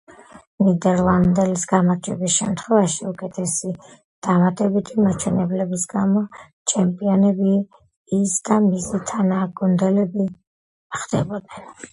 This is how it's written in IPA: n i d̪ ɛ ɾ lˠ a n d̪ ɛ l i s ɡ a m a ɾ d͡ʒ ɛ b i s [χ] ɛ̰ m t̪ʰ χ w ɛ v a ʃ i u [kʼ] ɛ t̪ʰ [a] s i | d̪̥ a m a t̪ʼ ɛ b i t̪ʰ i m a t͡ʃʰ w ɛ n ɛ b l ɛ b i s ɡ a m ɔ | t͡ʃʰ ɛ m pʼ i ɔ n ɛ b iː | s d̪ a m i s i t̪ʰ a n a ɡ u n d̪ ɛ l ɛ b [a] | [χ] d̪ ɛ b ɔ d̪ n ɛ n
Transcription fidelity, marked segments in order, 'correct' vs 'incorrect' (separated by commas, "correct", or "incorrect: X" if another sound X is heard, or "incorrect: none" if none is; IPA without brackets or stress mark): incorrect: ʃ, correct, incorrect: ɛ, incorrect: i, correct